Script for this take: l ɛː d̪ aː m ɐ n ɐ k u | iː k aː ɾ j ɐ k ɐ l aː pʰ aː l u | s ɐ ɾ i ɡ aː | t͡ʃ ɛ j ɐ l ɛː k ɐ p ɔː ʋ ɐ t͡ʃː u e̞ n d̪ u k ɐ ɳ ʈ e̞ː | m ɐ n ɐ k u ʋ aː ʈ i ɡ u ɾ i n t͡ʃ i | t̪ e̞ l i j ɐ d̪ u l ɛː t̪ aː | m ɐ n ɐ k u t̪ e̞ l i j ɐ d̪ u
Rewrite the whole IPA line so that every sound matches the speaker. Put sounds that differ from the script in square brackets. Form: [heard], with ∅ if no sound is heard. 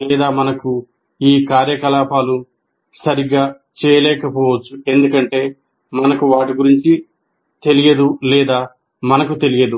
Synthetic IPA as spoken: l ɛː d̪ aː m ɐ n ɐ k u | iː k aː ɾ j ɐ k ɐ l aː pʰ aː l u | s ɐ ɾ i ɡ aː | t͡ʃ [ɛː] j ɐ l ɛː k ɐ p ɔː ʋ ɐ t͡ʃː u e̞ n d̪ u k ɐ ɳ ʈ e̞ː | m ɐ n ɐ k u ʋ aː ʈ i ɡ u ɾ i [ɲ] t͡ʃ i | t̪ e̞ l i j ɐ d̪ u l ɛː [d̪] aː | m ɐ n ɐ k u t̪ e̞ l i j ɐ d̪ u

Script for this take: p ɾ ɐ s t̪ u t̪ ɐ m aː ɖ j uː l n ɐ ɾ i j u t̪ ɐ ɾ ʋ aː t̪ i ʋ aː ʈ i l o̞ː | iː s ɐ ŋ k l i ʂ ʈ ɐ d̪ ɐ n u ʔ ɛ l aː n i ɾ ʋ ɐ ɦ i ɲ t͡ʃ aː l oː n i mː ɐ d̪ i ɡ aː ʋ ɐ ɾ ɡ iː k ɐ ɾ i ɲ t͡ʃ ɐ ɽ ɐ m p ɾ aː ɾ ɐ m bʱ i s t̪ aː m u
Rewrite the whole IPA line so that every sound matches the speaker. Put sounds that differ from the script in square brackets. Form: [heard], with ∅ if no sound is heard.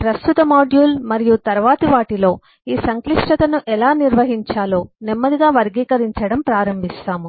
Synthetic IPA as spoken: p ɾ ɐ s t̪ u t̪ ɐ m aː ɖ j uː l [m] ɐ ɾ i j u t̪ ɐ ɾ ʋ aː t̪ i ʋ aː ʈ i l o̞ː | iː s ɐ ŋ k l i ʂ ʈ ɐ [t̪] ɐ n u ʔ ɛ l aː n i ɾ ʋ ɐ ɦ i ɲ t͡ʃ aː l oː n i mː ɐ d̪ i ɡ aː ʋ ɐ ɾ ɡ iː k ɐ ɾ i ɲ t͡ʃ ɐ ɽ ɐ m p ɾ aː ɾ ɐ m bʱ i s t̪ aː m u

